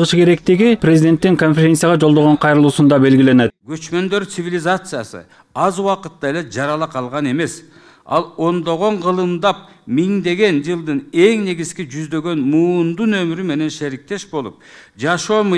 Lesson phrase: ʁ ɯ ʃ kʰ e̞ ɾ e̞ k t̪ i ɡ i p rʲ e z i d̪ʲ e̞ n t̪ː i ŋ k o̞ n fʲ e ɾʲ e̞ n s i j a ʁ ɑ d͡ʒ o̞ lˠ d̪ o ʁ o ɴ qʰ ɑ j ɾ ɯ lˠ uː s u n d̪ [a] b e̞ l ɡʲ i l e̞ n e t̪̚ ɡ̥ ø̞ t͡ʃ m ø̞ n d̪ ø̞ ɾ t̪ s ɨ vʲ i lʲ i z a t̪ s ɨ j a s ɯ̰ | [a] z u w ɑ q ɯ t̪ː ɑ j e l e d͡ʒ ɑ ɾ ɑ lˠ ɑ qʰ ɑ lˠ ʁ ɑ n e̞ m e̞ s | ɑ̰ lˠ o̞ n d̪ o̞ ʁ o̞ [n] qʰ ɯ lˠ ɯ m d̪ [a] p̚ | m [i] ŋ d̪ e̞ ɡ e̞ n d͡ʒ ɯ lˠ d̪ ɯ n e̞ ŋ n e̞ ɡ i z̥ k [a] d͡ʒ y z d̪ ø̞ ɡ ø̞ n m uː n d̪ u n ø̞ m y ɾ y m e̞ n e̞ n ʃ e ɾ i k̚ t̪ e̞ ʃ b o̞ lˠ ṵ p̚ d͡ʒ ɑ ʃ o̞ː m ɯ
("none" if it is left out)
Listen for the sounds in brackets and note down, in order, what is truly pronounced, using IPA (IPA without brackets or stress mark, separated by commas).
ɑ, ɑ, ɴ, ɑ, i, i